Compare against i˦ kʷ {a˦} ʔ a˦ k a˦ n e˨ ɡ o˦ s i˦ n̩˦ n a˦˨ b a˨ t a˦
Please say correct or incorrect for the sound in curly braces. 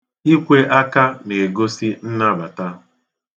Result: incorrect